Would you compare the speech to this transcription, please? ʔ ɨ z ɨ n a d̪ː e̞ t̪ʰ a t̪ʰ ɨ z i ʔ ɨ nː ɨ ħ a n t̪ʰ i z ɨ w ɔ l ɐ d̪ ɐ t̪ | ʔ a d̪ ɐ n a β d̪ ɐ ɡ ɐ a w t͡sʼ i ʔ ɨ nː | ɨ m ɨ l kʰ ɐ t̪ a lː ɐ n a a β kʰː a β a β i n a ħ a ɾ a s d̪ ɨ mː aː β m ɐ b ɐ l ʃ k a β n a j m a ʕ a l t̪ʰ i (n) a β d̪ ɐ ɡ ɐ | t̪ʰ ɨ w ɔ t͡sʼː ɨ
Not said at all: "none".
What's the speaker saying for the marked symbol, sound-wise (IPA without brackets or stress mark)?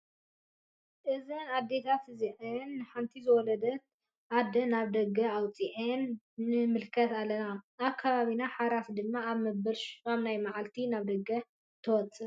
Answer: n